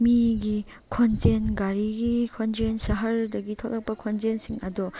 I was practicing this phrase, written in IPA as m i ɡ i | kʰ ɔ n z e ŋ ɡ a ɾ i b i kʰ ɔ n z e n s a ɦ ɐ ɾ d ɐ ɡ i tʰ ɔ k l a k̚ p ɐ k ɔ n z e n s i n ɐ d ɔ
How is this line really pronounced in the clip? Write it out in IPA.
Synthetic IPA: m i ɡ i | kʰ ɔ n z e n ɡ a ɾ i ɡ i kʰ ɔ n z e n s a ɦ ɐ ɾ d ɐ ɡ i tʰ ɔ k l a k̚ p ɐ kʰ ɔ n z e n s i ŋ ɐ d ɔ